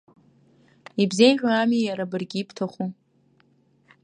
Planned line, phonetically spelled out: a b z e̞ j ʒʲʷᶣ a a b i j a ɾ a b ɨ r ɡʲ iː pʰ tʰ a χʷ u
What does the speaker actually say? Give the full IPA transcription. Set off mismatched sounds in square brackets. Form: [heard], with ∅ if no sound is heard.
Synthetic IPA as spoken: [i] b z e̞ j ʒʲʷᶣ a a [m] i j a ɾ a b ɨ r ɡʲ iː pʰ tʰ a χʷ u